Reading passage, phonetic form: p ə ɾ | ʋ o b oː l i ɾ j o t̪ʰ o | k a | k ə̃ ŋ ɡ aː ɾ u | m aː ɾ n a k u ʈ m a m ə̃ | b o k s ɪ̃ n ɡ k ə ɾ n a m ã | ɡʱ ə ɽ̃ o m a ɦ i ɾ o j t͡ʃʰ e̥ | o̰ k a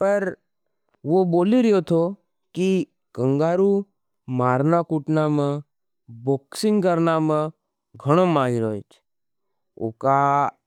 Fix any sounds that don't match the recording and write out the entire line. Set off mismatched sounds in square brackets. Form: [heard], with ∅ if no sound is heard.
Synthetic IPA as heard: p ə ɾ | ʋ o b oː l i ɾ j o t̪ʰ o | k [i] | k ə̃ ŋ ɡ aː ɾ u | m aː ɾ n a k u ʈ [n] a m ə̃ | b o k s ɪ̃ [ŋ] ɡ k ə ɾ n a m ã | ɡʱ ə ɽ̃ o m a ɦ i ɾ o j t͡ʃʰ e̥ | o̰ k a